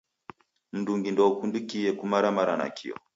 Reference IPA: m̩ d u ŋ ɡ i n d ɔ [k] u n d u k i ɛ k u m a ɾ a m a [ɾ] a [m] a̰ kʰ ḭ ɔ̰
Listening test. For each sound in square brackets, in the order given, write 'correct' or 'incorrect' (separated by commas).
correct, correct, incorrect